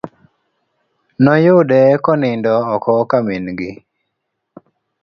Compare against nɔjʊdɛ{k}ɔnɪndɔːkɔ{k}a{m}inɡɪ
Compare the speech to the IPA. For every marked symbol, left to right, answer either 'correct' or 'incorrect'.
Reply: correct, correct, correct

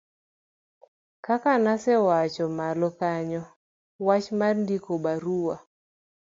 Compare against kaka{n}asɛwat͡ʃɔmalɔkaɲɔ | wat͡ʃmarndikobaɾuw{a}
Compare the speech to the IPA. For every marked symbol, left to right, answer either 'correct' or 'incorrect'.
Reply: correct, correct

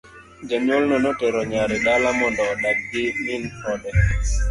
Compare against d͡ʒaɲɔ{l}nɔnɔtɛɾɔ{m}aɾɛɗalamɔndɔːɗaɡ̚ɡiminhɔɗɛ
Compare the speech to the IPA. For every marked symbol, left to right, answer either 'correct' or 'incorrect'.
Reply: correct, incorrect

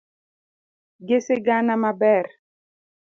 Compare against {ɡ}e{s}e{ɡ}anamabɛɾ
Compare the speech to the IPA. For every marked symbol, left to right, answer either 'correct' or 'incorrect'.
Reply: correct, correct, correct

